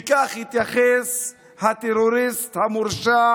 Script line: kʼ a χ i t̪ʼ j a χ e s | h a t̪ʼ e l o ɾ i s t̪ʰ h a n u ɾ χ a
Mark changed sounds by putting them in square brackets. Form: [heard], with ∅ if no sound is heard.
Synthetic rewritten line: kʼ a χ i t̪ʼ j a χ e s | h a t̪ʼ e [ɾ] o ɾ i s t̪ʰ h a [m] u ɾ [ʃ] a